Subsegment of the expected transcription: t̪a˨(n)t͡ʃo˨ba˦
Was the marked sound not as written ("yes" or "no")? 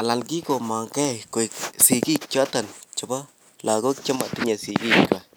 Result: no